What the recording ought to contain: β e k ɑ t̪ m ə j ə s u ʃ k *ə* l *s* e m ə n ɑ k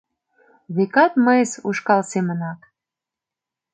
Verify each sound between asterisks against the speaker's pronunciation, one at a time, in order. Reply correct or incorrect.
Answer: incorrect: ɑ, correct

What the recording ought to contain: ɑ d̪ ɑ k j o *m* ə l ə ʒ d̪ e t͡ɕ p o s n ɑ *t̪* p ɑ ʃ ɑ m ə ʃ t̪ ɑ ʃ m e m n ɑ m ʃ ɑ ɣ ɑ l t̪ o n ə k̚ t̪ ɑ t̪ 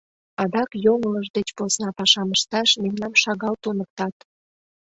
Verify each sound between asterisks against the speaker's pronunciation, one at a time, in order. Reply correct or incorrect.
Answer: incorrect: ŋ, incorrect: none

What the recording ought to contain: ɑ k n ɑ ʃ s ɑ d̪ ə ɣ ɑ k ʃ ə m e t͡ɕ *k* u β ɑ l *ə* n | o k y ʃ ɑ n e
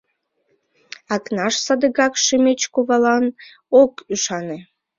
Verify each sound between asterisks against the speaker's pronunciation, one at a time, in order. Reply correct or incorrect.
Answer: correct, incorrect: ɑ

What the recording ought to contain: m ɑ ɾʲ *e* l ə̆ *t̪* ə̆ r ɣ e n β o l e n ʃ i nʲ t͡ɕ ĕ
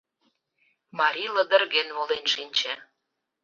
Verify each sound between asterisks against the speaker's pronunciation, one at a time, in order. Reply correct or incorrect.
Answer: incorrect: i, incorrect: d̪

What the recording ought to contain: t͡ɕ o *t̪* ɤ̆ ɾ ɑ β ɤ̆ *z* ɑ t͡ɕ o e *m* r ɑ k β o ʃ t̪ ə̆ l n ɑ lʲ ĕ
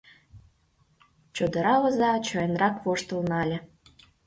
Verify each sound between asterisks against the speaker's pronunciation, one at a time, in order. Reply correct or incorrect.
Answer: incorrect: d̪, correct, incorrect: n

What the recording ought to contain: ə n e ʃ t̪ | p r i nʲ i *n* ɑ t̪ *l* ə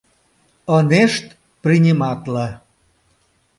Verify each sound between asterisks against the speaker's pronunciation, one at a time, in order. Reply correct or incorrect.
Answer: incorrect: m, correct

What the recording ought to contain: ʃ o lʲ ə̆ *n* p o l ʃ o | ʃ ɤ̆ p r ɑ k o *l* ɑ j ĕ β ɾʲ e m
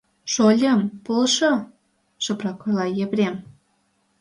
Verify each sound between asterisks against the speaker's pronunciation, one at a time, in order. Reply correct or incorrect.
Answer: incorrect: m, correct

